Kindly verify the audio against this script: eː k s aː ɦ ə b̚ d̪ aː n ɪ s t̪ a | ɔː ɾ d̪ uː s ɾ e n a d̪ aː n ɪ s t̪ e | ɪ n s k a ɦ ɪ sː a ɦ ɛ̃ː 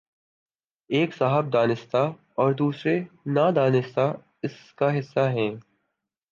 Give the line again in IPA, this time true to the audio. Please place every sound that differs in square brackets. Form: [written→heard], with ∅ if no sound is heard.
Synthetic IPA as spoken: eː k s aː ɦ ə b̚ d̪ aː n ɪ s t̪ a | ɔː ɾ d̪ uː s ɾ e n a d̪ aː n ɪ s t̪ [e→a] | ɪ [n→∅] s k a ɦ ɪ sː a ɦ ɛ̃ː